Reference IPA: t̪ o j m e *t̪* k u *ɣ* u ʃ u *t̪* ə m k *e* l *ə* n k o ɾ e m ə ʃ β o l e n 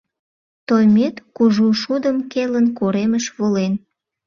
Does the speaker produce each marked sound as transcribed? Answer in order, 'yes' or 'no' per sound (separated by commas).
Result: yes, no, no, yes, yes